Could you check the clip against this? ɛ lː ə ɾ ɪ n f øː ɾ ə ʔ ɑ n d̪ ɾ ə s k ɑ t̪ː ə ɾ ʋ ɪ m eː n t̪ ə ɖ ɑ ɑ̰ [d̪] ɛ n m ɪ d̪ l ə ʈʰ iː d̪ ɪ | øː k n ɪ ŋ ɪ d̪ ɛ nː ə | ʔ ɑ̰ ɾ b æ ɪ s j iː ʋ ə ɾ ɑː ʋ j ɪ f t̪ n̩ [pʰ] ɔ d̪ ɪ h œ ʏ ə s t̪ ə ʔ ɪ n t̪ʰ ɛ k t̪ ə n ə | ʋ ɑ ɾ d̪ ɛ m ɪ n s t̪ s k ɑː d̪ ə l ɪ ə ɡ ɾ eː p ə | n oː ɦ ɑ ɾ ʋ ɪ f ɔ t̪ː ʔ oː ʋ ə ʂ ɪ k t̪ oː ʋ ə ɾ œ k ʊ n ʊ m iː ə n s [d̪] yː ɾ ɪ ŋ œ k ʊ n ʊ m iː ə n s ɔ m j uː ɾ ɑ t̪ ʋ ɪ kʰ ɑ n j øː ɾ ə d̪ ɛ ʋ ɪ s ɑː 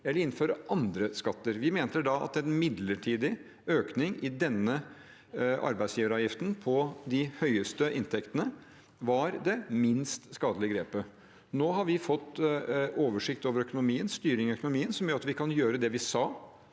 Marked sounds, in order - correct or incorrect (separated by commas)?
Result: incorrect, correct, incorrect